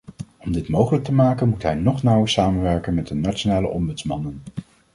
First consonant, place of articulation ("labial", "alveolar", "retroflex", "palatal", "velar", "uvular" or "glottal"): labial